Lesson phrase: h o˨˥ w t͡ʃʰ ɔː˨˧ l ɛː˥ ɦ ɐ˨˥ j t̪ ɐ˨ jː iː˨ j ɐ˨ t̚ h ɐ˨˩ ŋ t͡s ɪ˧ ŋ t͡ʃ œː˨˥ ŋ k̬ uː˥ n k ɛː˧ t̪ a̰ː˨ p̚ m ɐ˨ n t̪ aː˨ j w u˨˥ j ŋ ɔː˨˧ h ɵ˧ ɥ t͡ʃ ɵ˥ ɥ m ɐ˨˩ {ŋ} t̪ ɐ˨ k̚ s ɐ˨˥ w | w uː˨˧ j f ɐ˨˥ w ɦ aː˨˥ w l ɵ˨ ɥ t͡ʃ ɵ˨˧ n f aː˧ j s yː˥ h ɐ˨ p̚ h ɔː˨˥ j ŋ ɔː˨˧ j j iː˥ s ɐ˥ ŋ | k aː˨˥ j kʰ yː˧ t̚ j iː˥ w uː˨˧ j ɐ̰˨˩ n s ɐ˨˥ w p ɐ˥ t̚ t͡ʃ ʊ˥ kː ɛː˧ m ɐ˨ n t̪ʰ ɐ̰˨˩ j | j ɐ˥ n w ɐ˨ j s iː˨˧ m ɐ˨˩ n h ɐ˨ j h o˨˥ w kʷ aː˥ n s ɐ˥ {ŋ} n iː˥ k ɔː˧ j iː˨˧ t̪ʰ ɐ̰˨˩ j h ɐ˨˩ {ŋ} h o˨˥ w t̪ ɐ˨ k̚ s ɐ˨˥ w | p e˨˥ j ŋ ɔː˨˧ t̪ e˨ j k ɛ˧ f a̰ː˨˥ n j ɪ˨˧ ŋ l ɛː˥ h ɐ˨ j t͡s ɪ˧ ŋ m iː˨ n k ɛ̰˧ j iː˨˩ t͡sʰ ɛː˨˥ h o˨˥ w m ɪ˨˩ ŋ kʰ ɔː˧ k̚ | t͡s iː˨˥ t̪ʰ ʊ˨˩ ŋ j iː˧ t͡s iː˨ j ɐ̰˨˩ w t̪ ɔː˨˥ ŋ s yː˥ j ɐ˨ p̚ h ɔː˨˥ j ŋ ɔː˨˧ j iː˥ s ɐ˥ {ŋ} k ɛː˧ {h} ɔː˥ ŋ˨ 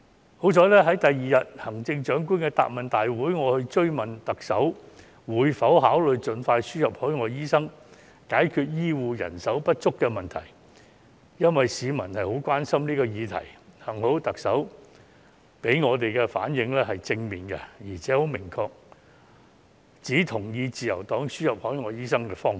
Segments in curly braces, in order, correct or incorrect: incorrect: n, incorrect: m, correct, correct, incorrect: f

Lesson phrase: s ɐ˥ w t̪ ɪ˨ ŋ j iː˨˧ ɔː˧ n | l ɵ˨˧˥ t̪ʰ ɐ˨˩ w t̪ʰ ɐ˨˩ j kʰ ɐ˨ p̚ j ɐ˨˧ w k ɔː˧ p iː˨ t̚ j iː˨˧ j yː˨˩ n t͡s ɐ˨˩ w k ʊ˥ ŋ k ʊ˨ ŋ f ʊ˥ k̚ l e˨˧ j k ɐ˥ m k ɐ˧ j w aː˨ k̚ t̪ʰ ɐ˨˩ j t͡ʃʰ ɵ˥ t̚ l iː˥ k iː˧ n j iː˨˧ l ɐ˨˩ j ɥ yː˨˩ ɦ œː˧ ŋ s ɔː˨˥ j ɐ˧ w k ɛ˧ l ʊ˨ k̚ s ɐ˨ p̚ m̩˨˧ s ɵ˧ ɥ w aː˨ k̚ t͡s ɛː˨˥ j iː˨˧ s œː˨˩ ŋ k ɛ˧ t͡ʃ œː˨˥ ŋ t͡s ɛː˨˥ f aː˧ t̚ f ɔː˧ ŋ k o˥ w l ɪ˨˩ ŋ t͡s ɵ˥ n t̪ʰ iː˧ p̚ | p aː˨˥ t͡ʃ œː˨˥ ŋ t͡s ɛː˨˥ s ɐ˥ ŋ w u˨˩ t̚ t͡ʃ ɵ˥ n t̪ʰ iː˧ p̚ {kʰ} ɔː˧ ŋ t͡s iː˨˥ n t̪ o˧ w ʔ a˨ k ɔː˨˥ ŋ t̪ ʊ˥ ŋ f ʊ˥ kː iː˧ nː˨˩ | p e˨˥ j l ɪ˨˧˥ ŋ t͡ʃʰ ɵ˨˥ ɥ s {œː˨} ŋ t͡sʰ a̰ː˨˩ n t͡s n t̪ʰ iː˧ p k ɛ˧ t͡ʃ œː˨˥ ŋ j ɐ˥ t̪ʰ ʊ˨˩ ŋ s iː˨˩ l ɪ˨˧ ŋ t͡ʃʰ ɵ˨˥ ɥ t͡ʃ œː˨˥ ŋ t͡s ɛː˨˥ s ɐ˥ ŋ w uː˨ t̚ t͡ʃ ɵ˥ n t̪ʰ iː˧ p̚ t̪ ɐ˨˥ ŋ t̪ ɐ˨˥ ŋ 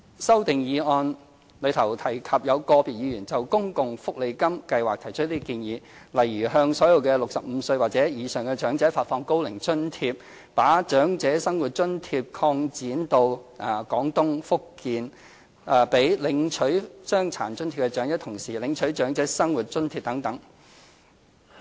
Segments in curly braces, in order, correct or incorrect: correct, incorrect: œː˥

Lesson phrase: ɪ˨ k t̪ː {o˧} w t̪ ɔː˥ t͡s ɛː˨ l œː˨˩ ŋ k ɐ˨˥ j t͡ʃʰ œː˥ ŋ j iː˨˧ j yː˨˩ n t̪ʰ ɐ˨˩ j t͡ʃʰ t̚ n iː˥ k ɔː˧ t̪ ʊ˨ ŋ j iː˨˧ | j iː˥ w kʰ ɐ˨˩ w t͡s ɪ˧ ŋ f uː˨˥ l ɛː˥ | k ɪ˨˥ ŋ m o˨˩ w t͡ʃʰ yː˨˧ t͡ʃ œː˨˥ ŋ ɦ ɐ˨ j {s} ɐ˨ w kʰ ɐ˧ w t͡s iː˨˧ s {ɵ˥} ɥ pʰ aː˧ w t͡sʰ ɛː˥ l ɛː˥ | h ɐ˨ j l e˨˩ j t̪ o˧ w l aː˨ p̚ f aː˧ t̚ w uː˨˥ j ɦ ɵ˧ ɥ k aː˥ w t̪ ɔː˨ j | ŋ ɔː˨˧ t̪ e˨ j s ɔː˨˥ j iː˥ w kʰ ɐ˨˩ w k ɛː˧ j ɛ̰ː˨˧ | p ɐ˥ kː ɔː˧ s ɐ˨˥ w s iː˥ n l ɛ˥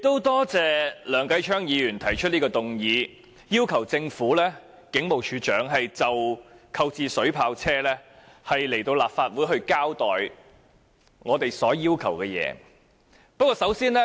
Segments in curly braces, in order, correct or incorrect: incorrect: o˥, incorrect: t͡s, incorrect: ɵ˨˥

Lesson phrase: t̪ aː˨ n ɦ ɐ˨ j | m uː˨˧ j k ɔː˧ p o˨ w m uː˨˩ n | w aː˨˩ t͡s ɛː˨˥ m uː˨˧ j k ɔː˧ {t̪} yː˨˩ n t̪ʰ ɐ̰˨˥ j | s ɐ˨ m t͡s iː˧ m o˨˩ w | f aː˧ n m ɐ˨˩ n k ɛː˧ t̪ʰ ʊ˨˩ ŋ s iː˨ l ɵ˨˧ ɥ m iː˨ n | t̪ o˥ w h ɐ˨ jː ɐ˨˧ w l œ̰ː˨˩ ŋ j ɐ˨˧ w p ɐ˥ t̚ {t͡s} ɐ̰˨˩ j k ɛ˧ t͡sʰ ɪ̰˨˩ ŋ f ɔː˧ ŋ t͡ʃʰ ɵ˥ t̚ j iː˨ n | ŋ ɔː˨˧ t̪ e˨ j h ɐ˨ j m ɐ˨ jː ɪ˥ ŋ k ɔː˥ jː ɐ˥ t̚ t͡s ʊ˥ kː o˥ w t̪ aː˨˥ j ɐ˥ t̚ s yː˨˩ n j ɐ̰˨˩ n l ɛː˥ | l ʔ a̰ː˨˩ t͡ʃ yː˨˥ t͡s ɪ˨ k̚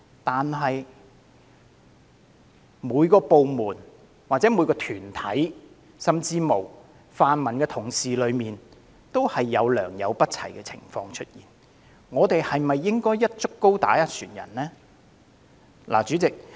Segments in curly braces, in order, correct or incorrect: incorrect: t̪ʰ, incorrect: t͡sʰ

